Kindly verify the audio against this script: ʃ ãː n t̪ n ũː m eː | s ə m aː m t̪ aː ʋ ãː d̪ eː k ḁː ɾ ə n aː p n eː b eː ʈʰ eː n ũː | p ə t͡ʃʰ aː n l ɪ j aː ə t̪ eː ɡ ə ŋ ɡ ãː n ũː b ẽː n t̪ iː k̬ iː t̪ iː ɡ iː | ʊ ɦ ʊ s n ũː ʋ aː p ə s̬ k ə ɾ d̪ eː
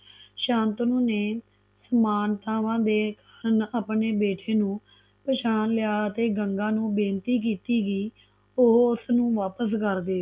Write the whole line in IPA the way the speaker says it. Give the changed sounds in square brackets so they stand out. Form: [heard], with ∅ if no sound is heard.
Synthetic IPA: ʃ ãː n t̪ n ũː [n] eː | s ə m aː [n] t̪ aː ʋ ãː d̪ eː k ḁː ɾ ə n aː p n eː b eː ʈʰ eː n ũː | p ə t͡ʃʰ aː n l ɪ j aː ə t̪ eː ɡ ə ŋ ɡ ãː n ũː b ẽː n t̪ iː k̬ iː t̪ iː ɡ iː | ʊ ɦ ʊ s n ũː ʋ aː p ə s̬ k ə ɾ d̪ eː